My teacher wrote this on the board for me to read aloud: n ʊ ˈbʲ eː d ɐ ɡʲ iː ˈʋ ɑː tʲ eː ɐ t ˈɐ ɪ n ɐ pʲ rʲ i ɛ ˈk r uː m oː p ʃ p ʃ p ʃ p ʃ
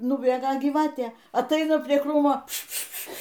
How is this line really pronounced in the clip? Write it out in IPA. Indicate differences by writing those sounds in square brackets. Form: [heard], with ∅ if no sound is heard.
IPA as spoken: n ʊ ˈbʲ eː [ɡ] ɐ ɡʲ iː ˈʋ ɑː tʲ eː ɐ t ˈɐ ɪ n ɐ pʲ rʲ i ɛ ˈk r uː m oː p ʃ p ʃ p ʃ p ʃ